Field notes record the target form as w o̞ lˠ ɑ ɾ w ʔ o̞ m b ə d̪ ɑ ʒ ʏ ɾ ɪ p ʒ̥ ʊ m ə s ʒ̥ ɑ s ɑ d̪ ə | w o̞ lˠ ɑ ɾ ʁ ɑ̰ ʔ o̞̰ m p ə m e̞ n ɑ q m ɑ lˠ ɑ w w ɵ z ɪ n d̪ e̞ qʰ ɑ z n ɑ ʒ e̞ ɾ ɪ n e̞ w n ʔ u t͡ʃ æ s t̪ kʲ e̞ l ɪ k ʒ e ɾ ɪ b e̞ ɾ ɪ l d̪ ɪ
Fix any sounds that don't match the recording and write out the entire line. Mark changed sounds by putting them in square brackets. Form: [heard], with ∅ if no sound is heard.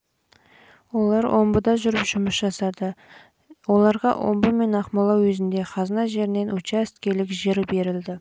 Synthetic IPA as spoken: w o̞ lˠ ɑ ɾ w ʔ o̞ m b ə d̪ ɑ ʒ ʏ ɾ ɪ p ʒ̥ ʊ m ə s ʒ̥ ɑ s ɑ d̪ ə | w o̞ lˠ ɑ ɾ ʁ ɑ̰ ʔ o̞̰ m [b] ə m e̞ n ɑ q m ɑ lˠ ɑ w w ɵ z ɪ n d̪ e̞ qʰ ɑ z n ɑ ʒ e̞ ɾ ɪ n e̞ [∅] n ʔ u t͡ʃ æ s t̪ kʲ e̞ l ɪ k ʒ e ɾ ɪ b e̞ ɾ ɪ l d̪ ɪ